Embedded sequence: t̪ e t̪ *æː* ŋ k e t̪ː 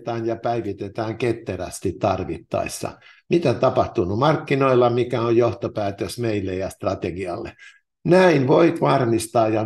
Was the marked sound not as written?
no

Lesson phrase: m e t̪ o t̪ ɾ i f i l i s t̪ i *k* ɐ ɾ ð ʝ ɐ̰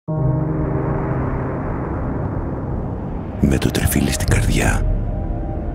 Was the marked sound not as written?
yes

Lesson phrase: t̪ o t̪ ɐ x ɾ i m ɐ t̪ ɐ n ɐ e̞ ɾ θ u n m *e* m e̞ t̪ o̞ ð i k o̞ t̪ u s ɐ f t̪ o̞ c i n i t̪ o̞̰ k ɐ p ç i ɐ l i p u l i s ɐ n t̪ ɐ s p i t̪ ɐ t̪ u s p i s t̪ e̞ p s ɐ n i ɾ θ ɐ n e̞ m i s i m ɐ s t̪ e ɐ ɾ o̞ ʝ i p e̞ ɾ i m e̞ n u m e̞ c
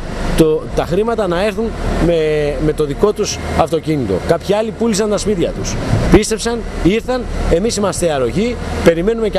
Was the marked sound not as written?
no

